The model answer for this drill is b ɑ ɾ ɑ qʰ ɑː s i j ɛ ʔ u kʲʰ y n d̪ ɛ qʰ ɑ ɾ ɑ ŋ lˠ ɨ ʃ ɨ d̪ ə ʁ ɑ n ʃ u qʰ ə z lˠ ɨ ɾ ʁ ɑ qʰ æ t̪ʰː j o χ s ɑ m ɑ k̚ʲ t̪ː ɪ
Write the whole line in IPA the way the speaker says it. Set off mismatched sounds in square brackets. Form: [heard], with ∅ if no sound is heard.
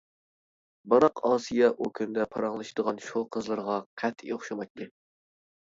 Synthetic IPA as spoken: b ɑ ɾ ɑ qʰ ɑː s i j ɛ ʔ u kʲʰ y n d̪ ɛ [pʰ] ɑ ɾ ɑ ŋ lˠ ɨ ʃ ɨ d̪ ə ʁ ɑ n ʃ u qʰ ə z lˠ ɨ ɾ ʁ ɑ qʰ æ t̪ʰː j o χ [ʃ] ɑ m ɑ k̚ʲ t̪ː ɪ

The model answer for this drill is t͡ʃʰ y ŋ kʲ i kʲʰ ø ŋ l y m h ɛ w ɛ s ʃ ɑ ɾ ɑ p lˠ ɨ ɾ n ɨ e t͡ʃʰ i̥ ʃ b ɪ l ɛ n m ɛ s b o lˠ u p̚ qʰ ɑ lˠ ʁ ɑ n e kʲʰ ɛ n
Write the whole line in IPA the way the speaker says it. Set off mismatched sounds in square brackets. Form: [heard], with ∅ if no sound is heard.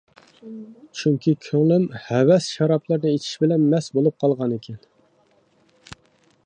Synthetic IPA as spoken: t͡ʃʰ y ŋ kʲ i kʲʰ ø ŋ l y m h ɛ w ɛ s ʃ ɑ ɾ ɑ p lˠ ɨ ɾ n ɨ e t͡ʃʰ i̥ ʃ b ɪ l ɛ n m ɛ s b o lˠ u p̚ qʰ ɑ lˠ ʁ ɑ n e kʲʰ ɛ n

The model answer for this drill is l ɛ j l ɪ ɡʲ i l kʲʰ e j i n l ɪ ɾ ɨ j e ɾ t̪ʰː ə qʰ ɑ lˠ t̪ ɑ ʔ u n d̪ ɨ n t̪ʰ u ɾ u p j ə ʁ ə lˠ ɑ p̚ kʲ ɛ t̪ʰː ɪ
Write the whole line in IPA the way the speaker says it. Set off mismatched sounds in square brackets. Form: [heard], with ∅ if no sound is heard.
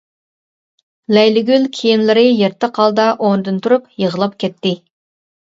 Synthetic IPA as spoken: l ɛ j l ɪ ɡʲ [y] l kʲʰ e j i n l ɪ ɾ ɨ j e ɾ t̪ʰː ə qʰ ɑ lˠ [d̪] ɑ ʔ [o] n d̪ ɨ n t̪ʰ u ɾ u p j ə ʁ ə lˠ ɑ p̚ kʲ ɛ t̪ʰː ɪ

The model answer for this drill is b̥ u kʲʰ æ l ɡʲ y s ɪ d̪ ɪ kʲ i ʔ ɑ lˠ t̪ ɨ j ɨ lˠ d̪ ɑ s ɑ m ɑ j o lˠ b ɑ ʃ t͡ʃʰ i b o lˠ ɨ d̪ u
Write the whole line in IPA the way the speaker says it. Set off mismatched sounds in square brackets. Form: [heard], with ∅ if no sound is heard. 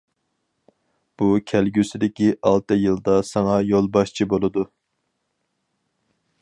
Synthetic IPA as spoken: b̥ u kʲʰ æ l ɡʲ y s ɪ d̪ ɪ kʲ i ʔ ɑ lˠ t̪ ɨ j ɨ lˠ d̪ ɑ s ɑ [ŋ] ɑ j o lˠ b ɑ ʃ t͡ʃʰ i b o lˠ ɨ d̪ u

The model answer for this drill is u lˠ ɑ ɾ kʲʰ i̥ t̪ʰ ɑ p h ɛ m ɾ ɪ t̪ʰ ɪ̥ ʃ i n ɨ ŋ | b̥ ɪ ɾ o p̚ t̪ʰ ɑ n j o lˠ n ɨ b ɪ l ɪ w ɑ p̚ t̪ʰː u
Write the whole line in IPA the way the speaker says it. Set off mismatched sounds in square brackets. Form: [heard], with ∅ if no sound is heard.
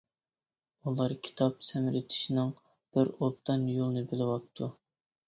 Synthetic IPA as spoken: u lˠ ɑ ɾ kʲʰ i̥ t̪ʰ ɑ p [s] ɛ m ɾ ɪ t̪ʰ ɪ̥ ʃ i n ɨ ŋ | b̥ ɪ ɾ o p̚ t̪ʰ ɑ n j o lˠ n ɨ b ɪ l ɪ w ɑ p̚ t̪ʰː u

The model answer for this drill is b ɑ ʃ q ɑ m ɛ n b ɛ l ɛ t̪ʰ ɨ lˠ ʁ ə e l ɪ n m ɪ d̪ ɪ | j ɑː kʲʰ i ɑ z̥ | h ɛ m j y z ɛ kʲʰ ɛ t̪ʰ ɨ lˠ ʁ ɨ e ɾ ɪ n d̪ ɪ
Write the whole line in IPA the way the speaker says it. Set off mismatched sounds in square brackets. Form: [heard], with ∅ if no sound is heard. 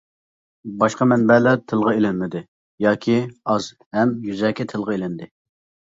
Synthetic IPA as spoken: b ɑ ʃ q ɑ m ɛ n b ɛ l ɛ t̪ʰ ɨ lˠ ʁ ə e l ɪ n m ɪ d̪ ɪ | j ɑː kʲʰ i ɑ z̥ | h ɛ m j y z ɛ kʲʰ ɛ t̪ʰ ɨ lˠ ʁ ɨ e [l] ɪ n d̪ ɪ

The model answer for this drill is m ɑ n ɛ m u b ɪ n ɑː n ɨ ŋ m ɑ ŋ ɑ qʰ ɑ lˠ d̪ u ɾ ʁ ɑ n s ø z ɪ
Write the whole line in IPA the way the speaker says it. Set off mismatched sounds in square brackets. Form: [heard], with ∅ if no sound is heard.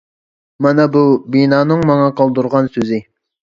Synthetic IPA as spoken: m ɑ n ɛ [b] u b [i] n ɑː n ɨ ŋ m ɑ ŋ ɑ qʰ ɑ lˠ d̪ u ɾ ʁ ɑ n s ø z ɪ

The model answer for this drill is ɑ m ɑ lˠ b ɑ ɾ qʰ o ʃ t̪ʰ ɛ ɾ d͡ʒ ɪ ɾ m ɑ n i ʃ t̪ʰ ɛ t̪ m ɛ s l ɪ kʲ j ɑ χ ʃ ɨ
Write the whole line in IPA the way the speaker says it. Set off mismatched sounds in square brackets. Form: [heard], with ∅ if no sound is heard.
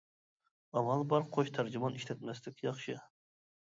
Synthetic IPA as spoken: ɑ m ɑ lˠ b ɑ ɾ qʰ o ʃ t̪ʰ [æ] ɾ d͡ʒ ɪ [∅] m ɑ n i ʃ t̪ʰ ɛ t̪ m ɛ s l ɪ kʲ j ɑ χ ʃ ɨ

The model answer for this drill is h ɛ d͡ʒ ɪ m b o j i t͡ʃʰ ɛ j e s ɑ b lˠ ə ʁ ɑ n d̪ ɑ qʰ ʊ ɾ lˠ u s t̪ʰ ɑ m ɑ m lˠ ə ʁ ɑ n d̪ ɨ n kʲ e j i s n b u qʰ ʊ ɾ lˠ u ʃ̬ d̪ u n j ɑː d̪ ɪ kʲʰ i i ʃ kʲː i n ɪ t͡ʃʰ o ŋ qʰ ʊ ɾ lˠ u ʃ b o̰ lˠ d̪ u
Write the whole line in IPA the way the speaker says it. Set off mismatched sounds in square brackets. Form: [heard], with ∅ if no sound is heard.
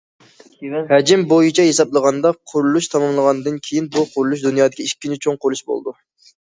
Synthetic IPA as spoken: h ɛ d͡ʒ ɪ m b o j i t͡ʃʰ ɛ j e s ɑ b lˠ ə ʁ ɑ n d̪ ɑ qʰ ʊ ɾ lˠ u [ʃ] t̪ʰ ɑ m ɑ m lˠ ə ʁ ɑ n d̪ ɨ n [kʲʰ] e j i [∅] n b u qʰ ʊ ɾ lˠ u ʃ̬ d̪ u n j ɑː d̪ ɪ [kʲ] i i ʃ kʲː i n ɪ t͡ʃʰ o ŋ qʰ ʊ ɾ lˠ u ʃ b o̰ lˠ d̪ u

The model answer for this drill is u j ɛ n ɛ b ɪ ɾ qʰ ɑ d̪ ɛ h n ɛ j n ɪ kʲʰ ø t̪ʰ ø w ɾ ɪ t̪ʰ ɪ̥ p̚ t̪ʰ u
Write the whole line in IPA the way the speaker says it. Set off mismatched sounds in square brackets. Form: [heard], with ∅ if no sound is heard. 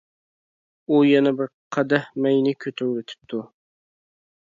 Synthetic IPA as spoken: u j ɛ n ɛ b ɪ ɾ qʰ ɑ d̪ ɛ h [m] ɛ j n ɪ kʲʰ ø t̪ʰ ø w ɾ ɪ t̪ʰ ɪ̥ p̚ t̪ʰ u

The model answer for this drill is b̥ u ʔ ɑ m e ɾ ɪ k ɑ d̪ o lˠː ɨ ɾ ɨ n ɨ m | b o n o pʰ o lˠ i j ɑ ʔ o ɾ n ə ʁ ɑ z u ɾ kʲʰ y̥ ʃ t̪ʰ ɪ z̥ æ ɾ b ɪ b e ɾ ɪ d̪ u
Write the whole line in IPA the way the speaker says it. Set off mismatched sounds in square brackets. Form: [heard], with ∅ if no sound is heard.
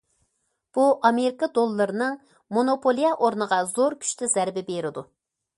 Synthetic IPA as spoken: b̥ u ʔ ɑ m e ɾ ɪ k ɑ d̪ o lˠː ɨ ɾ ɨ n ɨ [ŋ] | [m] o n o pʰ o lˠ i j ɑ ʔ o ɾ n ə ʁ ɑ z [o] ɾ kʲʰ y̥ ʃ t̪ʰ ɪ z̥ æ ɾ b ɪ b e ɾ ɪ d̪ u

